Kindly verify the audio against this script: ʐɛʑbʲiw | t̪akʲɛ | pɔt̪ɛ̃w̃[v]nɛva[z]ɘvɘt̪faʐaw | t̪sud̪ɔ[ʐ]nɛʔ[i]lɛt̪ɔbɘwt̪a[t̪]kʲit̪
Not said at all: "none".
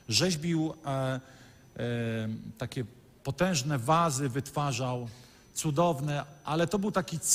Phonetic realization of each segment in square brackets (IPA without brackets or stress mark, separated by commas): ʐ, z, v, a, none